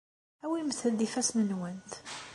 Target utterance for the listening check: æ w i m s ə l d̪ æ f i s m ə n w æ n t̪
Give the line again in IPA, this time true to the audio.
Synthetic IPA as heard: æ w i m θ ə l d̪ i f æ s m ə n w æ n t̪